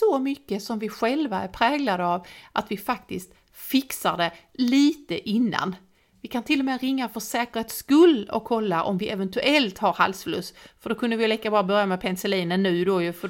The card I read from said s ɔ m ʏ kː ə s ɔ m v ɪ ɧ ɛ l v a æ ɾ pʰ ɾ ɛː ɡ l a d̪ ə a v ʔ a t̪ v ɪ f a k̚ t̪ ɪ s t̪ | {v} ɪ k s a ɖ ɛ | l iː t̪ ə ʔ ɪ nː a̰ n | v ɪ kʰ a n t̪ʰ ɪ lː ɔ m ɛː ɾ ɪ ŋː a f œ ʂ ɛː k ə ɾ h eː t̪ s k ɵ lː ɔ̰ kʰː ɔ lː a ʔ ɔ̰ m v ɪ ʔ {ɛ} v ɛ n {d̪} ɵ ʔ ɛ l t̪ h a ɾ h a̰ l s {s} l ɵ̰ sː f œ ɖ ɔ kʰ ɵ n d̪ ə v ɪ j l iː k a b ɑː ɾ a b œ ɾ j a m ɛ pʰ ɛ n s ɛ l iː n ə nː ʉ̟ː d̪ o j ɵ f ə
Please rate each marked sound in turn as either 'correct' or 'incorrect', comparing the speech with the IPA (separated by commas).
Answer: incorrect, correct, incorrect, incorrect